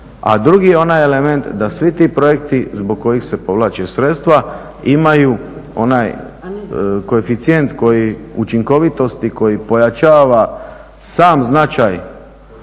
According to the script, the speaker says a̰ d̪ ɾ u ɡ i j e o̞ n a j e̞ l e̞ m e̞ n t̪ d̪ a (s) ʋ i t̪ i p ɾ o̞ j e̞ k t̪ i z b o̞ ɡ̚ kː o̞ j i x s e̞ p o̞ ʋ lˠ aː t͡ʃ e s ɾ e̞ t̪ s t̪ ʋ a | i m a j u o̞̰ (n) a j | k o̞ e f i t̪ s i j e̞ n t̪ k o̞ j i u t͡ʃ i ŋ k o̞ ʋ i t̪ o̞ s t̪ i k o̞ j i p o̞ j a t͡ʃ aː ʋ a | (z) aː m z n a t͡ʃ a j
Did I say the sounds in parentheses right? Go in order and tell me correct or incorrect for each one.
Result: correct, correct, incorrect: s

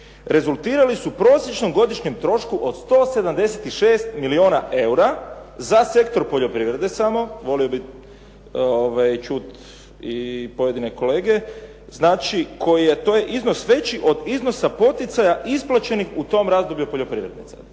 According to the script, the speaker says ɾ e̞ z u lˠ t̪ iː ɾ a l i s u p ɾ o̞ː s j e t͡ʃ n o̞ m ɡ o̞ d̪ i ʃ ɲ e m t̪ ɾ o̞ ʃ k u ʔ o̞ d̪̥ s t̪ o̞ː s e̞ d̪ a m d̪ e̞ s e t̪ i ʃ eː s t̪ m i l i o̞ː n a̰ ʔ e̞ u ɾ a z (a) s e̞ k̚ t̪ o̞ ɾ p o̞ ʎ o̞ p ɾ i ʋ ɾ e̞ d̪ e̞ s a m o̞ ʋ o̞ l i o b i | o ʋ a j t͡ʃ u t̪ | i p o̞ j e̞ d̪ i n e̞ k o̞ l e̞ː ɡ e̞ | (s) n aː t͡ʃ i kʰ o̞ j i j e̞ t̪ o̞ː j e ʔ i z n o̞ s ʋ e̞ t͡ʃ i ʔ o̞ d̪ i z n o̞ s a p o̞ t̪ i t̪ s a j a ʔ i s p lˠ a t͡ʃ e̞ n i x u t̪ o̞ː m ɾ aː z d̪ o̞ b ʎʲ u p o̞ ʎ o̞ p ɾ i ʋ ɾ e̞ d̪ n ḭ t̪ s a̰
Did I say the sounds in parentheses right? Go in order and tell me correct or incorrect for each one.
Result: correct, incorrect: z

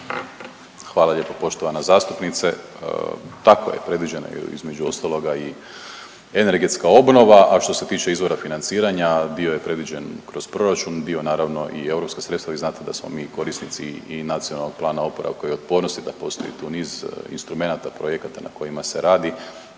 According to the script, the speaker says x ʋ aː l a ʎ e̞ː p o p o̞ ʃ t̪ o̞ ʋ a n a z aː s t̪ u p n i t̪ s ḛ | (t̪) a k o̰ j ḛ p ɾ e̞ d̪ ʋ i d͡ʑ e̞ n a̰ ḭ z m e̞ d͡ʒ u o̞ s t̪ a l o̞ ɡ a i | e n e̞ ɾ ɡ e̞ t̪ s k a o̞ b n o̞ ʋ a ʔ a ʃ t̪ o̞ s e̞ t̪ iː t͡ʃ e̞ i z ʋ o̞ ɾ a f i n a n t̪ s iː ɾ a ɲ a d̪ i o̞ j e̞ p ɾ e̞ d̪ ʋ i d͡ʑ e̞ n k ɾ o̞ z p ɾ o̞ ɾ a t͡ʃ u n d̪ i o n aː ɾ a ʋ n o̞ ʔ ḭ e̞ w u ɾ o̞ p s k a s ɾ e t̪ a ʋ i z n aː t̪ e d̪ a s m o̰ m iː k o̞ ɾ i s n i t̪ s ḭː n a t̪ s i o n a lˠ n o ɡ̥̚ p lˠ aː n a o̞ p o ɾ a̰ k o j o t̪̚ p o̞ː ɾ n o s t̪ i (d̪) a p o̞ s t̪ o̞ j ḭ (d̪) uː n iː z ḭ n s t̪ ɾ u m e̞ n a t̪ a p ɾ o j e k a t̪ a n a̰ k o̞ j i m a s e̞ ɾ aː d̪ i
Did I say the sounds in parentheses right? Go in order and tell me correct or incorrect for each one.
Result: correct, correct, incorrect: t̪

